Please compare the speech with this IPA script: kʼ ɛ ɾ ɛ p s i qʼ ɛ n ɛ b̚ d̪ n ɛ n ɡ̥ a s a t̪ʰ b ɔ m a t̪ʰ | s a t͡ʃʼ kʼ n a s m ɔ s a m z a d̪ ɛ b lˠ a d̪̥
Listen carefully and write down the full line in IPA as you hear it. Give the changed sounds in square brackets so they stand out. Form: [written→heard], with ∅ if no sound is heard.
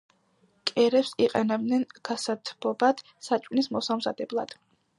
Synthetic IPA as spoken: kʼ ɛ ɾ ɛ p s i qʼ ɛ n ɛ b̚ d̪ n ɛ n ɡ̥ a s a t̪ʰ b ɔ [m→b] a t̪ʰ | s a t͡ʃʼ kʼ n [a→i] s m ɔ s a m z a d̪ ɛ b lˠ a d̪̥